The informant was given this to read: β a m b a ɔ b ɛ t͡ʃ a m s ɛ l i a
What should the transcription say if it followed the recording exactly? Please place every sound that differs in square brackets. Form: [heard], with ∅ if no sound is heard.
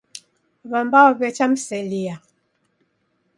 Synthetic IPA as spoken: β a m b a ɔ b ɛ t͡ʃ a m s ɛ l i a